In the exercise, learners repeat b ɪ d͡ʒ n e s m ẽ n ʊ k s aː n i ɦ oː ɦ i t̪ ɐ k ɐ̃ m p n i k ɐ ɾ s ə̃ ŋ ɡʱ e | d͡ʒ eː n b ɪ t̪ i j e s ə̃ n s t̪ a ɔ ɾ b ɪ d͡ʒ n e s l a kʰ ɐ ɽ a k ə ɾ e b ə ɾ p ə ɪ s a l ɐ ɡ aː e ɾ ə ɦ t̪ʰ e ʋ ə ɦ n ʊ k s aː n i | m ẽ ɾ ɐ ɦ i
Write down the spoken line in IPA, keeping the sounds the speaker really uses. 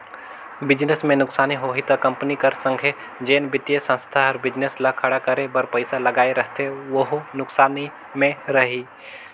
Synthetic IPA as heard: b ɪ d͡ʒ n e s m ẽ n ʊ k s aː n i ɦ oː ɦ i t̪ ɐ k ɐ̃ m p n i k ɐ ɾ s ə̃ ŋ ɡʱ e | d͡ʒ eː n b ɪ t̪ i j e s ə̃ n s t̪ʰ a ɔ ɾ b ɪ d͡ʒ n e s l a kʰ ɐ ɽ a k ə ɾ e b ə ɾ p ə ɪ s a l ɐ ɡ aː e ɾ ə ɦ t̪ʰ e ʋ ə ɦ n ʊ k s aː n i | m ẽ ɾ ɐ ɦ i

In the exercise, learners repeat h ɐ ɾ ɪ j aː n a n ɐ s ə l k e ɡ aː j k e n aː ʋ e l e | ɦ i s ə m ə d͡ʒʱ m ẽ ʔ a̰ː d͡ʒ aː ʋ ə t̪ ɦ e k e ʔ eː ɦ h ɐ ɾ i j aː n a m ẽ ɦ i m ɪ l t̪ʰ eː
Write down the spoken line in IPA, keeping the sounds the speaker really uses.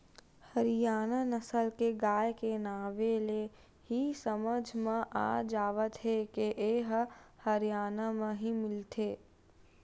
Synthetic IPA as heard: h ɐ ɾ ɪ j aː n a n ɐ s ə l k e ɡ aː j k e n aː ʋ e l e | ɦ i s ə m ə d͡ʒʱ m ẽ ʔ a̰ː d͡ʒ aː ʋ ə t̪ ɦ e k e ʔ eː ɦ h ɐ ɾ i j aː n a m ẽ ɦ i m ɪ l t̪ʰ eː

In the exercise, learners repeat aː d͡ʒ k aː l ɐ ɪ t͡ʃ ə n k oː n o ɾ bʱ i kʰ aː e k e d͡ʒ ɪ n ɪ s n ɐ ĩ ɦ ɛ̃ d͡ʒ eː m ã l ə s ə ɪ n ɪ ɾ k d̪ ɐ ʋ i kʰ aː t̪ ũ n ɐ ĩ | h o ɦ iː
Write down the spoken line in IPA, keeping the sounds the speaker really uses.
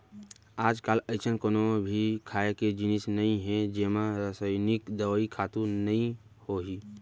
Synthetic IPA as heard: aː d͡ʒ k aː l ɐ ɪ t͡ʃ ə n k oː n o bʱ i kʰ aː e k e d͡ʒ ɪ n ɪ s n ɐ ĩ ɦ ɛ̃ d͡ʒ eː m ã ɾ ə s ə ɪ n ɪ k d̪ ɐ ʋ i kʰ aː t̪ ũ n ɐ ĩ | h o ɦ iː

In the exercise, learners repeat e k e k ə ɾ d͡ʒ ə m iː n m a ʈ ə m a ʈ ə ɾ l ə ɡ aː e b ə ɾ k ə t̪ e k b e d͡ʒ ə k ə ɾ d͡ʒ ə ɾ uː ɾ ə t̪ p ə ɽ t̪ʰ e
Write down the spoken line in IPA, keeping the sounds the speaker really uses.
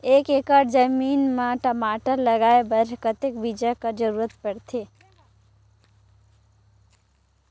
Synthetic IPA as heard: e k e k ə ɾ d͡ʒ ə m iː n m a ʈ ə m a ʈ ə ɾ l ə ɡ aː e b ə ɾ k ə t̪ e k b i d͡ʒ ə k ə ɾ d͡ʒ ə ɾ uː ɾ ə t̪ p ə ɽ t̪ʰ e

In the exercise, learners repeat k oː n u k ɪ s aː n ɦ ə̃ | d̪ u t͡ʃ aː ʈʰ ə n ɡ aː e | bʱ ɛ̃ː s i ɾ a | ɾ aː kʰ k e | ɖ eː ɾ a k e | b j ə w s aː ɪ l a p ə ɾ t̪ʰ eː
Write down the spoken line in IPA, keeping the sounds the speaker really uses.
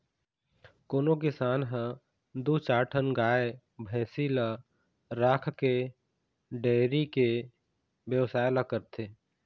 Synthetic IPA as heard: k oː n o k ɪ s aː n ɦ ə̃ | d̪ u t͡ʃ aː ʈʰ ə n ɡ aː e | bʱ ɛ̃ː s i l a | ɾ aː kʰ k e | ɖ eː ɾ i k e | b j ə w s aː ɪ l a k ə ɾ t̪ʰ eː

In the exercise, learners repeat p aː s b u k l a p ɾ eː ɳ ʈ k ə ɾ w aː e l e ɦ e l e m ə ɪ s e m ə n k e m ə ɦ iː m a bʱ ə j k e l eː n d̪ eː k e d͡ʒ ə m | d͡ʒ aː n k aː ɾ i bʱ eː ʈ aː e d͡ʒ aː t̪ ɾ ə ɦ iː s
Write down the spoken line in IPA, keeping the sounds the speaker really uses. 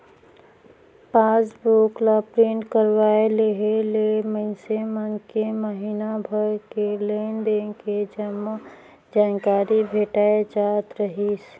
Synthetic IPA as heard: p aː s b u k l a p ɾ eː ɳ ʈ k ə ɾ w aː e l e ɦ e l e m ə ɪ s e m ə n k e m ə ɦ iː n a bʱ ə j k e l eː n d̪ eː k e d͡ʒ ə m | d͡ʒ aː n k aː ɾ i bʱ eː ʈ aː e d͡ʒ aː t̪ ɾ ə ɦ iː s

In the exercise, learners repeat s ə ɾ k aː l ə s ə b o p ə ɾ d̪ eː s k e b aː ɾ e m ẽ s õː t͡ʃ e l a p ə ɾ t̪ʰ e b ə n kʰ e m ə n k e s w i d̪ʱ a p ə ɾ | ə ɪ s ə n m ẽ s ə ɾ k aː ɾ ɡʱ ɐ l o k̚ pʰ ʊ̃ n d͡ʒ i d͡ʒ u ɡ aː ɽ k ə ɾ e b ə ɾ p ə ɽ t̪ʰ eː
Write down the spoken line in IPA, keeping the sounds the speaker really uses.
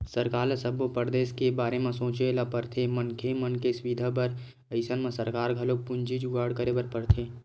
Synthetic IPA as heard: s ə ɾ k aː l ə s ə b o p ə ɾ d̪ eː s k e b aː ɾ e m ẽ s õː t͡ʃ e l a p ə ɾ t̪ʰ e m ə n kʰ e m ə n k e s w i d̪ʱ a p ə ɾ | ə ɪ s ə n m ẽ s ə ɾ k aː ɾ ɡʱ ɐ l o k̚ p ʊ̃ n d͡ʒ i d͡ʒ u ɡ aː ɽ k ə ɾ e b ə ɾ p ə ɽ t̪ʰ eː

